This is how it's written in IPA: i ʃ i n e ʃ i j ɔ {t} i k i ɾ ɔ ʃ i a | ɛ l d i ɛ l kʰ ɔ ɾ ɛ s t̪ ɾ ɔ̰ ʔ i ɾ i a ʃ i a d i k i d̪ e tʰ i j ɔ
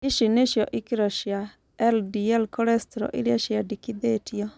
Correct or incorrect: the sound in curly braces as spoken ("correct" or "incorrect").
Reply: incorrect